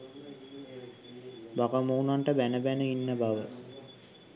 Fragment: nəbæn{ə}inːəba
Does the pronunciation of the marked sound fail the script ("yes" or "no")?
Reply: no